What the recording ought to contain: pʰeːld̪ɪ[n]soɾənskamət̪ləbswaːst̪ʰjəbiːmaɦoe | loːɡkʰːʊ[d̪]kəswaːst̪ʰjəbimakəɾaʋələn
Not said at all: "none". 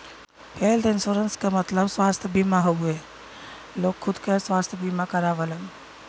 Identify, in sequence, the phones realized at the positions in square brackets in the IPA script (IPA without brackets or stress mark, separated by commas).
n, d̪